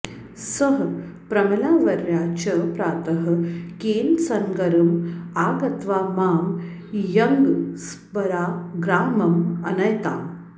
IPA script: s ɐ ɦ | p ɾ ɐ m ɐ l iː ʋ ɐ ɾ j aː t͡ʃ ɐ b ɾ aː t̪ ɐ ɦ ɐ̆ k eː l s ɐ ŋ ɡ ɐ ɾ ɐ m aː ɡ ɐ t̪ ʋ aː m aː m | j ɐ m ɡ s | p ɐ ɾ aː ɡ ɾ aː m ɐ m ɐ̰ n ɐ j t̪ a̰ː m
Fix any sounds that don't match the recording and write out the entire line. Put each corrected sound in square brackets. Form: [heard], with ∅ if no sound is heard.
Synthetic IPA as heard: s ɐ ɦ | p ɾ ɐ m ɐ l [aː] ʋ ɐ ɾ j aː t͡ʃ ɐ [p] ɾ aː t̪ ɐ ɦ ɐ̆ k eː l s ɐ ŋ ɡ ɐ ɾ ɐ m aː ɡ ɐ t̪ ʋ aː m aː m | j ɐ [ŋ] ɡ s | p ɐ ɾ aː ɡ ɾ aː m ɐ m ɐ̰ n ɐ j t̪ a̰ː m